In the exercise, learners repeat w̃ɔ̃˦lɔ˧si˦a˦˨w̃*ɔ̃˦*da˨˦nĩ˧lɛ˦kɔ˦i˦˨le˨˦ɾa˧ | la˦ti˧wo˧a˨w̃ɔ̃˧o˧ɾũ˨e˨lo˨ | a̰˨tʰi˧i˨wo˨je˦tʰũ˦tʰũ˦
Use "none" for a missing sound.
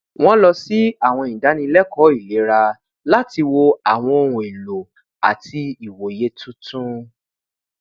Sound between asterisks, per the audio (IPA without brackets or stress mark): ɔ̃˧˨